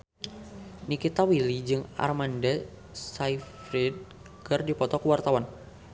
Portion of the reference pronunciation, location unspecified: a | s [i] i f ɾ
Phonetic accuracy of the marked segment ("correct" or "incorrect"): incorrect